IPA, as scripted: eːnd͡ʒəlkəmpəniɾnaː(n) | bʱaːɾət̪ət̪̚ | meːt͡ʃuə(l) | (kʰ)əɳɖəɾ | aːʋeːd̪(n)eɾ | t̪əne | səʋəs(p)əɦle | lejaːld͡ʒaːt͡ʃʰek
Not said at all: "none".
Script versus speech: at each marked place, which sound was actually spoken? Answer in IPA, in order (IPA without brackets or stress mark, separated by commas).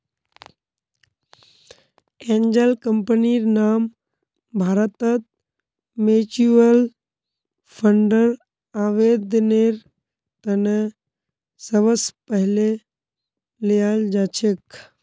m, l, pʰ, n, p